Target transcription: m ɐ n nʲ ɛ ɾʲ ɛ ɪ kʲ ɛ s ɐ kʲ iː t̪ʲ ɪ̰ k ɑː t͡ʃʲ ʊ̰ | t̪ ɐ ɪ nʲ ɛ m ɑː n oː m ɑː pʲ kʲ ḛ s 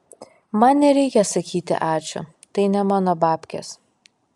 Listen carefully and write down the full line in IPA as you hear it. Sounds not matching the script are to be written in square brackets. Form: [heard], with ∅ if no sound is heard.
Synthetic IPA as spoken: m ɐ n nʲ ɛ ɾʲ ɛ ɪ kʲ ɛ s ɐ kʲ iː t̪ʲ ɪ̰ [ʔ] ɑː t͡ʃʲ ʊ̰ | t̪ ɐ ɪ nʲ ɛ m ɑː n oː [b] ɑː pʲ kʲ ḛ s

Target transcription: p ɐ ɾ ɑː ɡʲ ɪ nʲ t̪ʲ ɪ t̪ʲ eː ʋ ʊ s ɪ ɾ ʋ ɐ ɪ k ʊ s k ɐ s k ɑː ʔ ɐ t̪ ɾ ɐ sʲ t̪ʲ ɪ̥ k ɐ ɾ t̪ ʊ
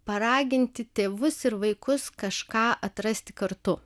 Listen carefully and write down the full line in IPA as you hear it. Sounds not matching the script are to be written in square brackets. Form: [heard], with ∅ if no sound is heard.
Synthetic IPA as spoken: p ɐ ɾ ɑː ɡʲ ɪ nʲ t̪ʲ ɪ t̪ʲ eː ʋ ʊ s ɪ ɾ ʋ ɐ ɪ k ʊ s k ɐ [ʃ] k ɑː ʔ ɐ t̪ ɾ ɐ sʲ t̪ʲ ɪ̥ k ɐ ɾ t̪ ʊ

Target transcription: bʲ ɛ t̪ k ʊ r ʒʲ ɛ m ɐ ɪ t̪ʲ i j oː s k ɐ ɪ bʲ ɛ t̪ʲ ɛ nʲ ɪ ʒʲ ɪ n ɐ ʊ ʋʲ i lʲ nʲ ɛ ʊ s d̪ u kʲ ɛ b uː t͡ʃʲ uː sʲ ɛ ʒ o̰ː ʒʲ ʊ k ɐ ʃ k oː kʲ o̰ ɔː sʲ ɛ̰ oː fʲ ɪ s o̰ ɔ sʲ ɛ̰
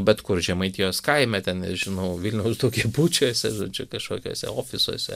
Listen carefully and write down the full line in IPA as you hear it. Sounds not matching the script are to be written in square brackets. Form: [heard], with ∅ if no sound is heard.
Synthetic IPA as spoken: bʲ ɛ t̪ k ʊ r ʒʲ ɛ m ɐ ɪ t̪ʲ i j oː s k ɐ ɪ [mʲ] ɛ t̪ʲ ɛ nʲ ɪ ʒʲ ɪ n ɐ ʊ ʋʲ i lʲ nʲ ɛ ʊ s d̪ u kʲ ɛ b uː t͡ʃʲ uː sʲ ɛ ʒ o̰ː [d͡ʒʲ] ʊ k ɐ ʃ k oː kʲ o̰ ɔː sʲ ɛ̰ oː fʲ ɪ s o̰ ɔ sʲ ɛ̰

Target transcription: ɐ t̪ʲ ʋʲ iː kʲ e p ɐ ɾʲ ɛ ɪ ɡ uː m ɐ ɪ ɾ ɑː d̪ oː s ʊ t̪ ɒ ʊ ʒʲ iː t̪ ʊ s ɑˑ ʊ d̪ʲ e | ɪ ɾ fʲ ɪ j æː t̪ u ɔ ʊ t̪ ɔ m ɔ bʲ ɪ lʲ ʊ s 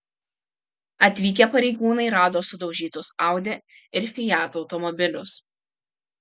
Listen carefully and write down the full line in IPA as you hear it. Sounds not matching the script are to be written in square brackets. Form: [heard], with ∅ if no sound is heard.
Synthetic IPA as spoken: ɐ t̪ʲ ʋʲ iː kʲ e p ɐ ɾʲ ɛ ɪ ɡ uː [n] ɐ ɪ ɾ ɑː d̪ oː s ʊ [d̪] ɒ ʊ ʒʲ iː t̪ ʊ s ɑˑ ʊ d̪ʲ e | ɪ ɾ fʲ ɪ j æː t̪ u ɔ ʊ t̪ ɔ m ɔ bʲ ɪ lʲ ʊ s

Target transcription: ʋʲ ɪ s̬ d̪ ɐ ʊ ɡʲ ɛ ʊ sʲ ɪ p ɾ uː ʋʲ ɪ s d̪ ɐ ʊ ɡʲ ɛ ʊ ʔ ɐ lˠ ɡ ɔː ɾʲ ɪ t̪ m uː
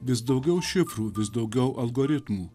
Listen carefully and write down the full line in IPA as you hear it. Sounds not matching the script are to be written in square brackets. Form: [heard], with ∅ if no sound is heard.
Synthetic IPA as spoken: ʋʲ ɪ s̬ d̪ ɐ ʊ ɡʲ ɛ ʊ [ʃʲ] ɪ p ɾ uː ʋʲ ɪ s d̪ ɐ ʊ ɡʲ ɛ ʊ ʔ ɐ lˠ ɡ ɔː ɾʲ ɪ t̪ m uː

